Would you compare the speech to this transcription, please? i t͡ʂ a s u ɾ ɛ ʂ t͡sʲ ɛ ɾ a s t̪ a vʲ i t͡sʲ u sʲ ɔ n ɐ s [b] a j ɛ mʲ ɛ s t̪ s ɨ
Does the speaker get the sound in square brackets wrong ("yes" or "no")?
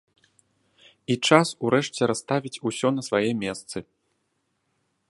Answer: yes